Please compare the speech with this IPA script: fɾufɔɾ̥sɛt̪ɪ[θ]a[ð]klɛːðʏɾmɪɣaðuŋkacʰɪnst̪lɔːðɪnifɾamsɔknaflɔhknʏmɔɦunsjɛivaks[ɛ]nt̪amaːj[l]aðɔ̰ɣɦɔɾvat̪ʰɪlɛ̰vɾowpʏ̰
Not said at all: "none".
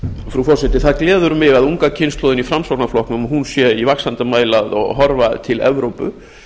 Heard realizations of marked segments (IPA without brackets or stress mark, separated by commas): θ, ð, a, l